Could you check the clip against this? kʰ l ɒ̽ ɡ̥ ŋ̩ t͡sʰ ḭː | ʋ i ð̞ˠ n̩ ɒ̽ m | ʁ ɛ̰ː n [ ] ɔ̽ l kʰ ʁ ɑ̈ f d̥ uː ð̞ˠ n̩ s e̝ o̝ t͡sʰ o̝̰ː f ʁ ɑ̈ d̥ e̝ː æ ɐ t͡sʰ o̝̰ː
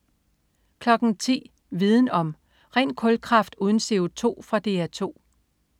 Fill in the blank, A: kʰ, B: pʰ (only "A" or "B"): A